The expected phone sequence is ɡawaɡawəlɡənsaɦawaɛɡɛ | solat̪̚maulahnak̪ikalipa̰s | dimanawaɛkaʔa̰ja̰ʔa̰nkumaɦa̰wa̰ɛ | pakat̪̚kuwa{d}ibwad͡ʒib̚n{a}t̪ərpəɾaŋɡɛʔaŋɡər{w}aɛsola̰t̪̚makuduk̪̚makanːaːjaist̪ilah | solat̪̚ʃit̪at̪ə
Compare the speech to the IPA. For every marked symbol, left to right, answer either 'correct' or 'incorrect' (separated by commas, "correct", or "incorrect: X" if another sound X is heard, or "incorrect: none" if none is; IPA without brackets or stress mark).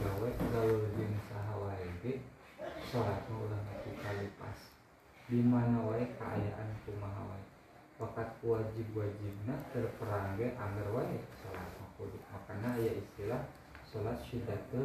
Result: incorrect: d͡ʒ, correct, correct